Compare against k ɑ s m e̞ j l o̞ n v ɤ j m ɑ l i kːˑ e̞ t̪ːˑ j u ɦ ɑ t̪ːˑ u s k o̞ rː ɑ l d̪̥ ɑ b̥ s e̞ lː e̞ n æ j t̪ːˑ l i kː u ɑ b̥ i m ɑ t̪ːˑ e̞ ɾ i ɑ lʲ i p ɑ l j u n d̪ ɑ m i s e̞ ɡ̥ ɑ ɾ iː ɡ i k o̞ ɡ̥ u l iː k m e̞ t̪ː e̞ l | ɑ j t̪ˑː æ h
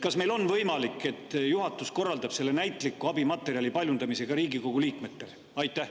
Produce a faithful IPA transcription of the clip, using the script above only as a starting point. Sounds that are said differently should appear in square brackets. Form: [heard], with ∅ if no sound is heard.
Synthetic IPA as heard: k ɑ s m e̞ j l o̞ n v ɤ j m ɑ l i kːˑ e̞ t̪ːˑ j u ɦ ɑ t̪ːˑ u s k o̞ rː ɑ l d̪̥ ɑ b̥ s e̞ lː e̞ n æ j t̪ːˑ l i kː u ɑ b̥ i m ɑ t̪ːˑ e̞ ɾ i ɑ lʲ i p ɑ l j u n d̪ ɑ m i s e̞ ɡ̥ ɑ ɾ iː ɡ i k o̞ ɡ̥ u l iː k m e̞ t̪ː e̞ l | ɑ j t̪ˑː æ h